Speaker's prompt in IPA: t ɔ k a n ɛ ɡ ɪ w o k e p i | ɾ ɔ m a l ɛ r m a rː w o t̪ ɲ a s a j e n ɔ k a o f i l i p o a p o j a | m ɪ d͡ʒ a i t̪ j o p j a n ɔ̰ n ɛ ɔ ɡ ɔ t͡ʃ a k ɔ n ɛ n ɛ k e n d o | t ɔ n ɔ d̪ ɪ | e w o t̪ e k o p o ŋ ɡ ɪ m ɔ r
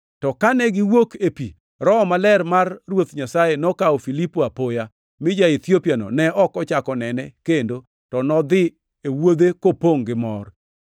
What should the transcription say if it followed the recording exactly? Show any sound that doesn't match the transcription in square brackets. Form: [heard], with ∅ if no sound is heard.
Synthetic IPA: t ɔ k a n ɛ ɡ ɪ w o k e p i | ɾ ɔ m a l ɛ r m a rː w o t̪ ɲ a s a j e n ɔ k a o f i l i p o a p o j a | m ɪ d͡ʒ a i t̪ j o p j a n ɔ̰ n ɛ ɔ [k] ɔ t͡ʃ a k ɔ n ɛ n ɛ k e n d o | t ɔ n ɔ d̪ ɪ | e w o [d̪] e k o p o ŋ ɡ ɪ m ɔ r

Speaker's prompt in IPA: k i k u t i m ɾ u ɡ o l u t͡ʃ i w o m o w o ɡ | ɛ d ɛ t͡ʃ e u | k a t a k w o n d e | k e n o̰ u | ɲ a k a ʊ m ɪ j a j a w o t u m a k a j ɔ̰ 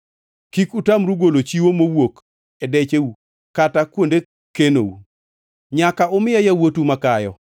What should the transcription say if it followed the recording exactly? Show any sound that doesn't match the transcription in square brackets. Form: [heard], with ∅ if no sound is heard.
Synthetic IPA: k i k u t [a] m ɾ u ɡ o l [o] t͡ʃ i w o m o w o [k] | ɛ d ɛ t͡ʃ e u | k a t a k w o n d e | k e n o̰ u | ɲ a k a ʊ m ɪ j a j a w o t u m a k a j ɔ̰

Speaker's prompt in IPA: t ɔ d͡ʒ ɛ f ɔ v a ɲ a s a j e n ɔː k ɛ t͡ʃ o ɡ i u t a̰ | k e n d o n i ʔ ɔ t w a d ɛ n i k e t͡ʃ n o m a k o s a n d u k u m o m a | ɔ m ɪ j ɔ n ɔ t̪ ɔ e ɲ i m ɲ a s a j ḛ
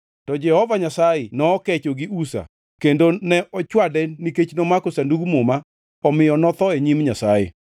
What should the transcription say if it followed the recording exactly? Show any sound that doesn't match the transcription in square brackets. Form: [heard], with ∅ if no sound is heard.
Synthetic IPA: t ɔ d͡ʒ ɛ [h] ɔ v a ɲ a s a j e n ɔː k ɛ t͡ʃ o ɡ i u [s] a̰ | k e n d o n [ɛ] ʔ ɔ [t͡ʃ] w a d ɛ n i k e t͡ʃ n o m a k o s a n d u [ɡ] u m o m a | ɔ m ɪ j ɔ n ɔ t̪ ɔ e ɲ i m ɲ a s a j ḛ

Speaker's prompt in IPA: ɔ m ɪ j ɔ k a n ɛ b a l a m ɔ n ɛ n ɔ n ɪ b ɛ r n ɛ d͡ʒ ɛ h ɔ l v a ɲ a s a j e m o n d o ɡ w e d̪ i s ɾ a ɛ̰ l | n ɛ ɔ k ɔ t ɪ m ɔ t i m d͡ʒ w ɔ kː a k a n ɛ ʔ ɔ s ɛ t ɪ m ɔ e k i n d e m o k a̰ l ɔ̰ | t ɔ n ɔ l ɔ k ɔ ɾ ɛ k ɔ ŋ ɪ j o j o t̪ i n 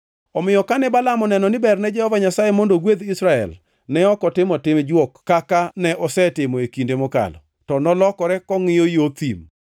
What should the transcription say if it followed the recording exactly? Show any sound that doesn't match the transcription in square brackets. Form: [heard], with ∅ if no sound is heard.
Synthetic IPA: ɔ m ɪ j ɔ k a n ɛ b a l a m ɔ n ɛ n ɔ n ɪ b ɛ r n ɛ d͡ʒ ɛ h ɔ [∅] v a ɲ a s a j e m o n d o ɡ w e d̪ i s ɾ a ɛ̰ l | n ɛ ɔ k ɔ t ɪ m ɔ t [ɪ] m d͡ʒ w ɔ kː a k a n ɛ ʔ ɔ s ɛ t ɪ m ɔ e k i n d e m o k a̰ l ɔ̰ | t ɔ n ɔ l ɔ k ɔ ɾ ɛ k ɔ ŋ ɪ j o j o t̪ i [m]

